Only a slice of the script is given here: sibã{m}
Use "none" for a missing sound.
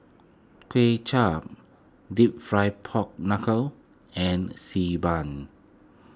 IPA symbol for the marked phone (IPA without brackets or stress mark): n